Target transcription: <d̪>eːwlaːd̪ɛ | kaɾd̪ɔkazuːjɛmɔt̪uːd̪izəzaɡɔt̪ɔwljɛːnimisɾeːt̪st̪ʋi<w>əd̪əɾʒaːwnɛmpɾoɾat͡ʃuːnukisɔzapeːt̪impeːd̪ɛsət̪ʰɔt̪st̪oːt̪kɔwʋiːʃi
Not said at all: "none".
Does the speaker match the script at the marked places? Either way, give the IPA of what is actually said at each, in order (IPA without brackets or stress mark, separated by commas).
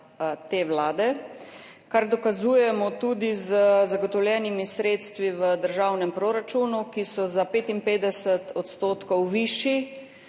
t̪, ʋ